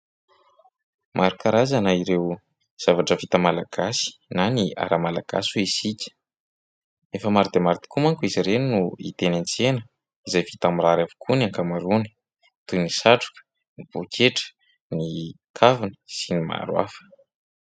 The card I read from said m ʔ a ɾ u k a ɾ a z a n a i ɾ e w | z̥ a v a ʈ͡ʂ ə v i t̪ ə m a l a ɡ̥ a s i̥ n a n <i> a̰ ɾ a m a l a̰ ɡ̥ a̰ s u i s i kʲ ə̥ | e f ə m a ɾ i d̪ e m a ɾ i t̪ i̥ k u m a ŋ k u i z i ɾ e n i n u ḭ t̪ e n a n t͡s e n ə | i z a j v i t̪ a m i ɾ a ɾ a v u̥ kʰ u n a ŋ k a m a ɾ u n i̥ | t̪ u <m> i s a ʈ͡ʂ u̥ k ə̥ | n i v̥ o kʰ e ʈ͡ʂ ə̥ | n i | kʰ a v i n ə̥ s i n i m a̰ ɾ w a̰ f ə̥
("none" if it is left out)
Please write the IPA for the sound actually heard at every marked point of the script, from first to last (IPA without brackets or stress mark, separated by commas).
i, n